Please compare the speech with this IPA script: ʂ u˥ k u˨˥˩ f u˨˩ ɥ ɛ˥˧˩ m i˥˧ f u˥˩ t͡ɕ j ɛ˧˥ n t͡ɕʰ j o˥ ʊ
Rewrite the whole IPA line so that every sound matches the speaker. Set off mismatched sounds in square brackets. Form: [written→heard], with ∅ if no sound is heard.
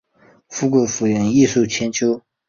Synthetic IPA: [ʂ→f] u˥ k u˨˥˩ f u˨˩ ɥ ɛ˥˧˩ [m→n] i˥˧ [f→ʂ] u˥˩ [t͡ɕ→t͡ɕʰ] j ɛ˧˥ n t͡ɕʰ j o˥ ʊ